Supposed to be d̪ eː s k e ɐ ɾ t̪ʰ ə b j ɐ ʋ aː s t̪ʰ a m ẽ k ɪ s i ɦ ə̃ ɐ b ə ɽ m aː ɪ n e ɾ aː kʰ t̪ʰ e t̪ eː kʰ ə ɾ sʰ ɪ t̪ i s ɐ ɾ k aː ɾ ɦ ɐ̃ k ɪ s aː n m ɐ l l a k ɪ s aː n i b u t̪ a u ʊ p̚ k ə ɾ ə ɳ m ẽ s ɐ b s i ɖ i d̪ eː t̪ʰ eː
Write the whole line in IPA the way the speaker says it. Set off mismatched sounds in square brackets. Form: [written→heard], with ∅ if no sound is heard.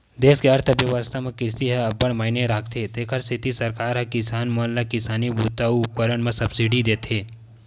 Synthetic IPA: d̪ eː s k e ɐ ɾ t̪ʰ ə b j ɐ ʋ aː s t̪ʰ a m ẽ k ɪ s i ɦ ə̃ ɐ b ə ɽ m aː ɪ n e ɾ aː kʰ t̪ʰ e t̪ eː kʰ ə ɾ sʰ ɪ t̪ i s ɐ ɾ k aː ɾ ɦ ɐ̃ k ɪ s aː n m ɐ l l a k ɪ s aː n i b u t̪ a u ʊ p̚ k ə ɾ ə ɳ m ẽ s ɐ b s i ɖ i d̪ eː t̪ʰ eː

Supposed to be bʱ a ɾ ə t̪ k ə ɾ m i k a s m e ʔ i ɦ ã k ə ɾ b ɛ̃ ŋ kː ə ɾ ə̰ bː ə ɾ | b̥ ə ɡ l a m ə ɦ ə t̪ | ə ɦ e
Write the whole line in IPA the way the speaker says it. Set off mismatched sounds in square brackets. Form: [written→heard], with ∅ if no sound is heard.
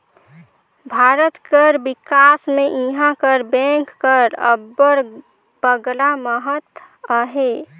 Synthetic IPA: bʱ a ɾ ə t̪ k ə ɾ [m→b] i k a s m e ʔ i ɦ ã k ə ɾ b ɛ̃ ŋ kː ə ɾ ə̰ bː ə ɾ | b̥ ə ɡ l a m ə ɦ ə t̪ | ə ɦ e

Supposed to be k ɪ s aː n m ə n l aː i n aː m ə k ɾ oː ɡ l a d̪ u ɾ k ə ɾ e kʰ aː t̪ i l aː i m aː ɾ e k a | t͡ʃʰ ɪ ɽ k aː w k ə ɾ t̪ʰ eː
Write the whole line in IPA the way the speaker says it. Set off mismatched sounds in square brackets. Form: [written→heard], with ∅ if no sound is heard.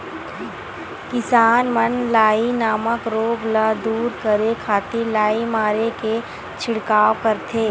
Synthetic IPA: k ɪ s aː n m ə n l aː i n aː m ə k ɾ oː ɡ l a d̪ [u→uː] ɾ k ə ɾ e kʰ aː t̪ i l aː i m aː ɾ e k [a→e] | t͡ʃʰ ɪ ɽ k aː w k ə ɾ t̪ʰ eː

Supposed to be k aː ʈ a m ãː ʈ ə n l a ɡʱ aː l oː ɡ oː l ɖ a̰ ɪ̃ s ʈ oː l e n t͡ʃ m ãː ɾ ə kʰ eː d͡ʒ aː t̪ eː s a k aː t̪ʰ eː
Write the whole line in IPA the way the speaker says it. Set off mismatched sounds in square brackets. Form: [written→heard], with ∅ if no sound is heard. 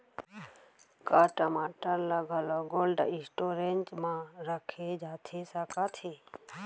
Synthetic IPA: k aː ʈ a m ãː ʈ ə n l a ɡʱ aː l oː ɡ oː l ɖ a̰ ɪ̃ s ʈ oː [l→ɾ] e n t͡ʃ m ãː ɾ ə kʰ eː d͡ʒ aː [t̪→t̪ʰ] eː s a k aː t̪ʰ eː

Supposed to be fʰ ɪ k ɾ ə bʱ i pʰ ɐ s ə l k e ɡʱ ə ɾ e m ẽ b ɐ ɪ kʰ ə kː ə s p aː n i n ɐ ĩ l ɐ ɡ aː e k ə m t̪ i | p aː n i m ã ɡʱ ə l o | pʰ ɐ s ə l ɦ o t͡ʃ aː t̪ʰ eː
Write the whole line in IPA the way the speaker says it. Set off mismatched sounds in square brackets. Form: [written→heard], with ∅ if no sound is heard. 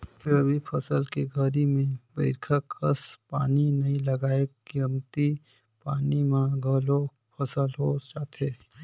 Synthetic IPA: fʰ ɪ [k→∅] ɾ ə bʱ i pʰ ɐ s ə l k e ɡʱ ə ɾ [e→i] m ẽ b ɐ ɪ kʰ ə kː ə s p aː n i n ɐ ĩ l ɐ ɡ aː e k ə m t̪ i | p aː n i m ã ɡʱ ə l o | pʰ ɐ s ə l ɦ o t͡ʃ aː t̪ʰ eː

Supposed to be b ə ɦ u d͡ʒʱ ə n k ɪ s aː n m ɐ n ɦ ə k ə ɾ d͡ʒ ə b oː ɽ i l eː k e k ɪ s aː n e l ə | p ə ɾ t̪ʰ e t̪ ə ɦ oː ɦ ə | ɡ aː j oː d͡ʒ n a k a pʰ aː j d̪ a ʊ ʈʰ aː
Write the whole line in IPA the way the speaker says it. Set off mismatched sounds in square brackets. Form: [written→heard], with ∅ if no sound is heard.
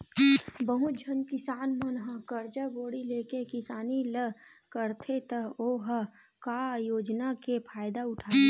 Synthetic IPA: b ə ɦ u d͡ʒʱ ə n k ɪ s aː n m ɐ n ɦ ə k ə ɾ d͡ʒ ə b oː ɽ i l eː k e k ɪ s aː n [e→i] l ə | [p→k] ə ɾ t̪ʰ e t̪ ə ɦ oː ɦ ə | [ɡ→k] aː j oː d͡ʒ n a k [a→e] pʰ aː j d̪ a ʊ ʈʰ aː

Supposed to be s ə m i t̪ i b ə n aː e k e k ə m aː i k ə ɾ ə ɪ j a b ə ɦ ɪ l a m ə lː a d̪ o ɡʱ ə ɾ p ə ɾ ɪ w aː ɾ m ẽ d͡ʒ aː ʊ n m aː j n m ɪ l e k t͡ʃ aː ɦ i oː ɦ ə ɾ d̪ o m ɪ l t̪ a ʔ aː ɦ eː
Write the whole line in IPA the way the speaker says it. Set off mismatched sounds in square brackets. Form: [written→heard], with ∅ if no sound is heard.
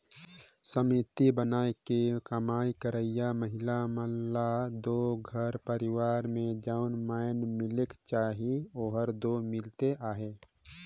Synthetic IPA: s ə m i t̪ i b ə n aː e k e k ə m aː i k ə ɾ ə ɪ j a [b→m] ə ɦ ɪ l a m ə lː a d̪ o ɡʱ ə ɾ p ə ɾ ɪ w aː ɾ m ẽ d͡ʒ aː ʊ n m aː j n m ɪ l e k t͡ʃ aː ɦ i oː ɦ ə ɾ d̪ o m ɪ l t̪ [a→e] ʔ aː ɦ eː

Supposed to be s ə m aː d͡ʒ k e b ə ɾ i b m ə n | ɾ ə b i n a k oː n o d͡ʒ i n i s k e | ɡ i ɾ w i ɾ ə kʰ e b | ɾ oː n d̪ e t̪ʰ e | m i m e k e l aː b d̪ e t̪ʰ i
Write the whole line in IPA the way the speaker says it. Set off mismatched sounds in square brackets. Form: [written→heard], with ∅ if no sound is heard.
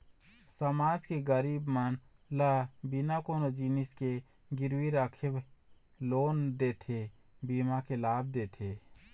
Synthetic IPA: s ə m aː d͡ʒ k e [b→ɡ] ə ɾ i b m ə n | [ɾ→l] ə b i n a k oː n o d͡ʒ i n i s k e | ɡ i ɾ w i ɾ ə kʰ e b | [ɾ→l] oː n d̪ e t̪ʰ e | [m→b] i m [e→a] k e l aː b d̪ e t̪ʰ [i→e]

